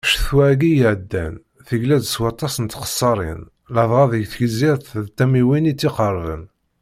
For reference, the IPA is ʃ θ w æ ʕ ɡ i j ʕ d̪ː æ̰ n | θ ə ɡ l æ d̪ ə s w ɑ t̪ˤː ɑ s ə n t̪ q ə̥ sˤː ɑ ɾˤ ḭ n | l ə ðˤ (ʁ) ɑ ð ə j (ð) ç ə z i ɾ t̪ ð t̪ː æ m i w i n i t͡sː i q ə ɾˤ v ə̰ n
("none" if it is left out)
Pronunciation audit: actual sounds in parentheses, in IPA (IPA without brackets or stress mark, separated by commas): ʁ, θ